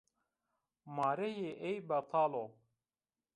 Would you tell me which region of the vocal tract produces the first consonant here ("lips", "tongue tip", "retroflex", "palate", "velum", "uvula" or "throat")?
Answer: lips